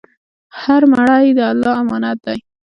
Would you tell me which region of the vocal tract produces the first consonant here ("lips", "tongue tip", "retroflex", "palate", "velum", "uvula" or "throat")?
throat